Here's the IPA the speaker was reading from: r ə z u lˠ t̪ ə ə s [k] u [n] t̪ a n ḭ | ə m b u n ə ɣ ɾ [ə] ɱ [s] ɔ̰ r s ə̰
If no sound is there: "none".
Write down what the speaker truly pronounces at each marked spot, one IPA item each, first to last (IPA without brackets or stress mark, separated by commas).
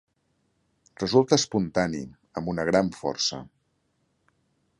p, n, a, f